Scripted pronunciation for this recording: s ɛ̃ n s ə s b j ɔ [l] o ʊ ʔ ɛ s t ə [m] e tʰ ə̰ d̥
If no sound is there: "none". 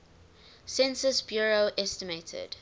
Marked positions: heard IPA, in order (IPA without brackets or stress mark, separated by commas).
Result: ɹ, m